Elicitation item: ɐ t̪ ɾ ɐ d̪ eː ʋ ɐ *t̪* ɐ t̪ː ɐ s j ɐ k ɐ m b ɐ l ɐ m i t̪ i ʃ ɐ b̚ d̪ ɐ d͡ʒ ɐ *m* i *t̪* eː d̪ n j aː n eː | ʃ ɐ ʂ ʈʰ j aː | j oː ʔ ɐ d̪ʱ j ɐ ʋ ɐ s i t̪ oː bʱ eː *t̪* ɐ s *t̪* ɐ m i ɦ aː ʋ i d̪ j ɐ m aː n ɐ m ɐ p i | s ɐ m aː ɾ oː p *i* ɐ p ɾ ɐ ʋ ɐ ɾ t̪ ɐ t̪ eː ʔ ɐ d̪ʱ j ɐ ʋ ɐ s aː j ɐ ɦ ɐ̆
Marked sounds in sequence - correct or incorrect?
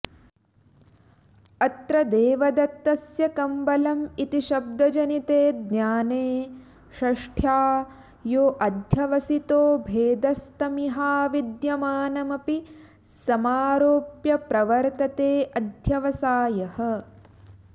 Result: incorrect, incorrect, correct, incorrect, correct, incorrect

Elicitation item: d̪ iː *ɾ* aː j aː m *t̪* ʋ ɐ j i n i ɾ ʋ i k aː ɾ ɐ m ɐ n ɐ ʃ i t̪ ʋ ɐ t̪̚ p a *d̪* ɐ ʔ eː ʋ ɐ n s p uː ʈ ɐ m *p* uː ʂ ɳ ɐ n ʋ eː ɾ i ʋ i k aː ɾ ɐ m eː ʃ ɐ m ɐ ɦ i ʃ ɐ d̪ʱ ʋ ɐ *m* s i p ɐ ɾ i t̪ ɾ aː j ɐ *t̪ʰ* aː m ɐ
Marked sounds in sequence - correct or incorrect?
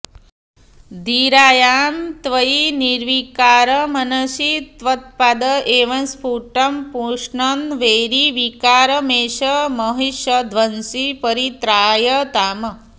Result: correct, correct, correct, correct, incorrect, incorrect

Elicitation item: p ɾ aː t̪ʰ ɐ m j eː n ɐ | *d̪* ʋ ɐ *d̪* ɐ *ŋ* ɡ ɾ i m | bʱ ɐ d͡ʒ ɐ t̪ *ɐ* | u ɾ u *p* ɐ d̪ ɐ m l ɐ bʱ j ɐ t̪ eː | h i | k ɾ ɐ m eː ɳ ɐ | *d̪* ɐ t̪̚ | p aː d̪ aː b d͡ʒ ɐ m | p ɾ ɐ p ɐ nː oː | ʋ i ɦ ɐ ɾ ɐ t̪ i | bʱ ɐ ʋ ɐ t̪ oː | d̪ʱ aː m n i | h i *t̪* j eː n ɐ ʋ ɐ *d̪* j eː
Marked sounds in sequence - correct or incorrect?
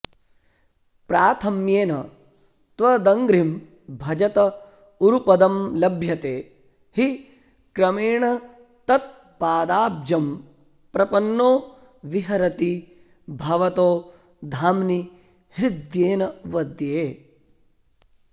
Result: incorrect, correct, correct, correct, correct, incorrect, incorrect, correct

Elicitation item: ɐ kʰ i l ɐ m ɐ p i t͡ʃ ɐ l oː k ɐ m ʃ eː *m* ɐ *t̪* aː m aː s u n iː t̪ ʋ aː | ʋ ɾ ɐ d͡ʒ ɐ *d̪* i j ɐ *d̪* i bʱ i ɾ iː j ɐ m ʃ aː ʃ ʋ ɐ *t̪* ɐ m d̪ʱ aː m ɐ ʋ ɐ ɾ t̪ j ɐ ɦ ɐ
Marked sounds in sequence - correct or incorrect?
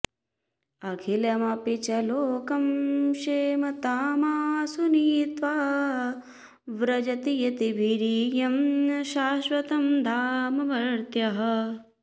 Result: correct, correct, incorrect, incorrect, correct

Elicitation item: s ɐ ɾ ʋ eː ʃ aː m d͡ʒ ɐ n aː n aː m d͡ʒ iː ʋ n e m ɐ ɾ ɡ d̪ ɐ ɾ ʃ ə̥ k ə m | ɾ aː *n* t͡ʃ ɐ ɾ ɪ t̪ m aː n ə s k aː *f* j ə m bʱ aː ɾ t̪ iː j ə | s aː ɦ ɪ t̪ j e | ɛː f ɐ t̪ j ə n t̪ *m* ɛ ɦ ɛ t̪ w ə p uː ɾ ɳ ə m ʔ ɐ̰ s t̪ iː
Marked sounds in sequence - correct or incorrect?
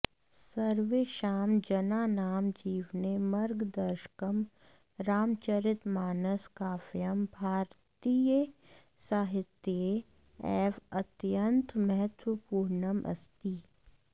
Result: incorrect, correct, correct

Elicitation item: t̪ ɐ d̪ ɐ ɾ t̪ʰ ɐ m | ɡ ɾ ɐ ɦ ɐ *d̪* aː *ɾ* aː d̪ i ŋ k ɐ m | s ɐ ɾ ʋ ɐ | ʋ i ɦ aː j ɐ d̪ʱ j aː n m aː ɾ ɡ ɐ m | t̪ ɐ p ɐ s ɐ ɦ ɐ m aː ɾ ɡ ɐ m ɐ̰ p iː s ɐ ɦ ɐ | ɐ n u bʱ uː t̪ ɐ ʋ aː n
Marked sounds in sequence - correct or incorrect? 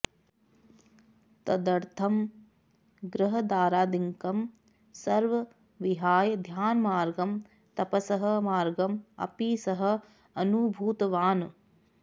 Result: correct, correct

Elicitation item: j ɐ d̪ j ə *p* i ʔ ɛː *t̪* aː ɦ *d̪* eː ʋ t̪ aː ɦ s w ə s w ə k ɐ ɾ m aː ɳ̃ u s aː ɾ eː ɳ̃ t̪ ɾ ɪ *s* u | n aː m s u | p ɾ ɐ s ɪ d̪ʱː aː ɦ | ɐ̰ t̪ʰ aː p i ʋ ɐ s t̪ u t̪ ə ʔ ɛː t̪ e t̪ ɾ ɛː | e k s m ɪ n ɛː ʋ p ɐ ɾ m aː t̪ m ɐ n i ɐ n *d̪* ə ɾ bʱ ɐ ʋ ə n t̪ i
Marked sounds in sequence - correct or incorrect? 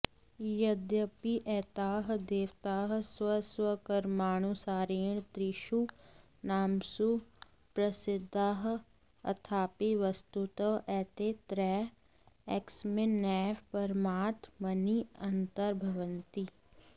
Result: correct, correct, correct, incorrect, incorrect

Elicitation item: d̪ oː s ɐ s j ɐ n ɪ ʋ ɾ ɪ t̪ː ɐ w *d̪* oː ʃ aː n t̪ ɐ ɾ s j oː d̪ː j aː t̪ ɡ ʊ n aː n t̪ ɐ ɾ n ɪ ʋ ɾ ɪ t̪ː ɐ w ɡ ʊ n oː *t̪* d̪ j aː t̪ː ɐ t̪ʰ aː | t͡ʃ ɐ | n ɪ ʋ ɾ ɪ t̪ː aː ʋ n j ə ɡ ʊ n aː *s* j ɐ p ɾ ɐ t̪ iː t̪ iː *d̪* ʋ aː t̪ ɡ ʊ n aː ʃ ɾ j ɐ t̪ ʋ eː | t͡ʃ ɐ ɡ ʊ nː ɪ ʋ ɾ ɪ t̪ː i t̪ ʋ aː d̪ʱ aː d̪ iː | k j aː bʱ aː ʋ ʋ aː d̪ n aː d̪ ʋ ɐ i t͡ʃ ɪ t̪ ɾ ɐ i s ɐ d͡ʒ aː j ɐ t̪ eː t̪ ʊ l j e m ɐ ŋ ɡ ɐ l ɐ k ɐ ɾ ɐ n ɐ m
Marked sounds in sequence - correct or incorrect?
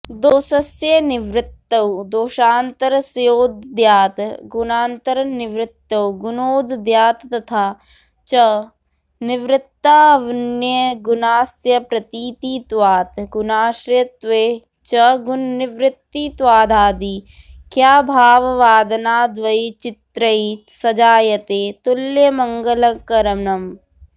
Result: correct, incorrect, correct, incorrect

